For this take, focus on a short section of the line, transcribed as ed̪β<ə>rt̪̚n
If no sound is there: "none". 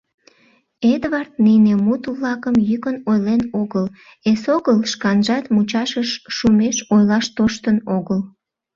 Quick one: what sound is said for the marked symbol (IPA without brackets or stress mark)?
ɑ